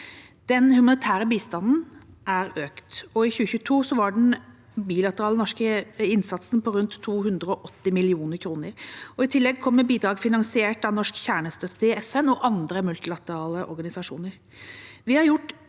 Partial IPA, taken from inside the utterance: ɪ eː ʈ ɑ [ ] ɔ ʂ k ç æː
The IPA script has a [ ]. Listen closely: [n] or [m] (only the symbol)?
n